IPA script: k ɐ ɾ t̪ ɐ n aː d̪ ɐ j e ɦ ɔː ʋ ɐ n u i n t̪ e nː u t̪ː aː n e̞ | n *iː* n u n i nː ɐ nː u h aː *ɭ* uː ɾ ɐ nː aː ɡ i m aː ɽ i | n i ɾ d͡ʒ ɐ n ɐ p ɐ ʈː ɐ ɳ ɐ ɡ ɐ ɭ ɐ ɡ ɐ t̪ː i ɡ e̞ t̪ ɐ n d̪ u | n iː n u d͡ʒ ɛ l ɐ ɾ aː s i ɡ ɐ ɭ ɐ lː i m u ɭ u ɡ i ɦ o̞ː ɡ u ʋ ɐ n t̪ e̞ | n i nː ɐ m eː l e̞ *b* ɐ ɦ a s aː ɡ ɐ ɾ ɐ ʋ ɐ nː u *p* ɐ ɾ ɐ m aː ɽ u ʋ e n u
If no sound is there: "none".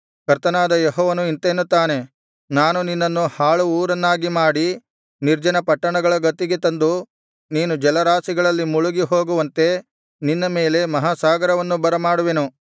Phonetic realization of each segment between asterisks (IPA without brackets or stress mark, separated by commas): aː, ɭ, m, b